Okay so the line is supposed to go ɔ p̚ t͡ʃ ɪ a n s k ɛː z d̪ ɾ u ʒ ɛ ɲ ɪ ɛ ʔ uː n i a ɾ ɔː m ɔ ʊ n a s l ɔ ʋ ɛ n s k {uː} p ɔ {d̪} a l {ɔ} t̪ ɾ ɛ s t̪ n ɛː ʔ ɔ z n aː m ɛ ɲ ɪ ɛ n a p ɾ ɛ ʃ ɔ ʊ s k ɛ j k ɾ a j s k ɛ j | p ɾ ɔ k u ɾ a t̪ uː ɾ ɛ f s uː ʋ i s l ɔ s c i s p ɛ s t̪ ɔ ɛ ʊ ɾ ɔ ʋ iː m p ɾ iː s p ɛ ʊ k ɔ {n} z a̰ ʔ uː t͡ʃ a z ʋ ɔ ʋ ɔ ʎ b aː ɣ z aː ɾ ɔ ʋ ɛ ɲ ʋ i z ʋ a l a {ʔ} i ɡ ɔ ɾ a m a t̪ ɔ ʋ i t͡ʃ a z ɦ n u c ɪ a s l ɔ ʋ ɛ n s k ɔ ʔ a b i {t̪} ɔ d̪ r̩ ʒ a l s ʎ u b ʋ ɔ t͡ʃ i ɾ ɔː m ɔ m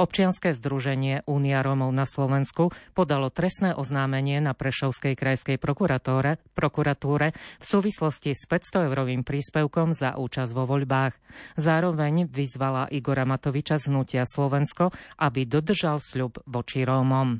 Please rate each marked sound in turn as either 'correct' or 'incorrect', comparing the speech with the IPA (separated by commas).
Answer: incorrect, correct, correct, incorrect, correct, incorrect